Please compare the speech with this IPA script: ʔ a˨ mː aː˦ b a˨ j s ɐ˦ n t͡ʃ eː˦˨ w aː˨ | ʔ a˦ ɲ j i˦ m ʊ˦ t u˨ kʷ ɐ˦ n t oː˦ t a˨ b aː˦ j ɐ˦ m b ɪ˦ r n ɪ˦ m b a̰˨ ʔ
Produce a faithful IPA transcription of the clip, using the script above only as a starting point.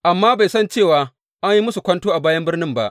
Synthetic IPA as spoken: ʔ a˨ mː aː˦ b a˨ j s ɐ˦ n t͡ʃ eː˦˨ w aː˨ | ʔ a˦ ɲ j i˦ m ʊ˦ s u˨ kʷ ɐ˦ n t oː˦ ʔ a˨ b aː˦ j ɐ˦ m b ɪ˦ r n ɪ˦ m b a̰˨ ʔ